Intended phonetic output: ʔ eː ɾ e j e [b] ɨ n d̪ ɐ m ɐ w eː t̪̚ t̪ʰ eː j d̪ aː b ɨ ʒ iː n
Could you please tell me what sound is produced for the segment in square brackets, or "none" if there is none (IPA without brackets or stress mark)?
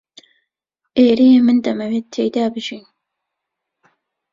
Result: m